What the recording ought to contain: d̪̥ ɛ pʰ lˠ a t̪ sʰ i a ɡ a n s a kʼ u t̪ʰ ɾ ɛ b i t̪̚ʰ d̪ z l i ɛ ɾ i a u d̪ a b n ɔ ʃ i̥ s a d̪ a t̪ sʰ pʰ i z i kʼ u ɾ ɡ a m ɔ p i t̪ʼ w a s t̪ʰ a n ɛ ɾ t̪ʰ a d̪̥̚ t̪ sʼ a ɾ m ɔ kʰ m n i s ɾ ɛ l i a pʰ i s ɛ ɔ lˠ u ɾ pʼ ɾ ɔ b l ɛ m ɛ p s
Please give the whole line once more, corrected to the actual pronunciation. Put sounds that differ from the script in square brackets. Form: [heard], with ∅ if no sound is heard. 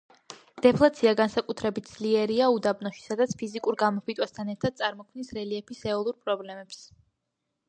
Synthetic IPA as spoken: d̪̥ ɛ pʰ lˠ a t̪ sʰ i a ɡ a n s a kʼ u t̪ʰ ɾ ɛ b i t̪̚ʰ d̪ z l i ɛ ɾ i a u d̪ a b n ɔ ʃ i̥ s a d̪ a t̪ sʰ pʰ i z i kʼ u ɾ ɡ a m ɔ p i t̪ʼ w a s t̪ʰ a n ɛ ɾ t̪ʰ a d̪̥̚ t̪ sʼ a ɾ m ɔ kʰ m n i s ɾ ɛ l i [ɛ] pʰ i s ɛ ɔ lˠ u ɾ pʼ ɾ ɔ b l ɛ m ɛ p s